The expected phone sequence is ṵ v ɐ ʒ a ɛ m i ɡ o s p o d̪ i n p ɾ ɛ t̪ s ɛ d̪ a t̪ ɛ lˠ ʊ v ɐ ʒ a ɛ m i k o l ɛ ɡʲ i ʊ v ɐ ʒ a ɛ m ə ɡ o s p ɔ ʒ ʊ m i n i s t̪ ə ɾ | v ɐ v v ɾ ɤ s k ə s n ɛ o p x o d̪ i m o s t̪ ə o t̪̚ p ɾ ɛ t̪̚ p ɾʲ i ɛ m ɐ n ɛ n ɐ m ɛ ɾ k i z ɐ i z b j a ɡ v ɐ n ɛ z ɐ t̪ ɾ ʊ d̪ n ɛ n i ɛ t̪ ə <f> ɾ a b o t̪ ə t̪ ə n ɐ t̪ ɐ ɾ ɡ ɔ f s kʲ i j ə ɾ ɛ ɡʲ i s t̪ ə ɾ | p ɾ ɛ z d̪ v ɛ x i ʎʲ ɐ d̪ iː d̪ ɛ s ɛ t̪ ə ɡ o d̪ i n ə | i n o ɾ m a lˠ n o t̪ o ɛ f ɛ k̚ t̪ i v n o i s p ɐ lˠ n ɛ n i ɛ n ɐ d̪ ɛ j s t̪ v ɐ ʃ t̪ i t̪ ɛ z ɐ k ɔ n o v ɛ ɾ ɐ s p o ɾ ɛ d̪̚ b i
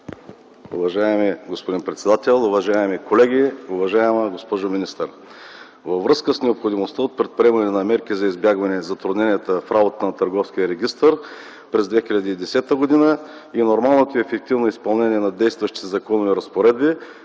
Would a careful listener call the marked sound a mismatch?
no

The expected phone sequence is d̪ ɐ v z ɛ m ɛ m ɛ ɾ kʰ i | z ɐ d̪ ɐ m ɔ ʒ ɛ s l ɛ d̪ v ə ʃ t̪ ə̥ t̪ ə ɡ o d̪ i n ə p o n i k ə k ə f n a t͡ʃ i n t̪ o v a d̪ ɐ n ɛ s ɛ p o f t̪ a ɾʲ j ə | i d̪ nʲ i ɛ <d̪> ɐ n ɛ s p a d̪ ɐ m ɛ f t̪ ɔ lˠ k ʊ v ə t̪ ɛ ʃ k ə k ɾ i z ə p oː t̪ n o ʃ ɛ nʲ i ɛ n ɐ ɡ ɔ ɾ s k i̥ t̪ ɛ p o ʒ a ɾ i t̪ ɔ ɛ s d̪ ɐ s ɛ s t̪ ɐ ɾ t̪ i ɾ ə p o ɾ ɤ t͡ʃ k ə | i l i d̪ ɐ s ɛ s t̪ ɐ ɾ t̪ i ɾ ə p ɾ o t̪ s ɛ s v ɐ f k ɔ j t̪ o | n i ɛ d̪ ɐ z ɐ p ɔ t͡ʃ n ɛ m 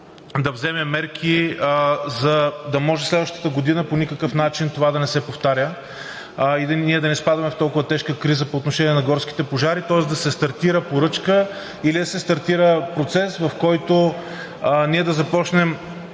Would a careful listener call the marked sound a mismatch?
no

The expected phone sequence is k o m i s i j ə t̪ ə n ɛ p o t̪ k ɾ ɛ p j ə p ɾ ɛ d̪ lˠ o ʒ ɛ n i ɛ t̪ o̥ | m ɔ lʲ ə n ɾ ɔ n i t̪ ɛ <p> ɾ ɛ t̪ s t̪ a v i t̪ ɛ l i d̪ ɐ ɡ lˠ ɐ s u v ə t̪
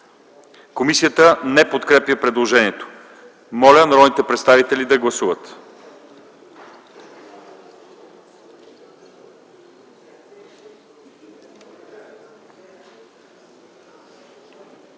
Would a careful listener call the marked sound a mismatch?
no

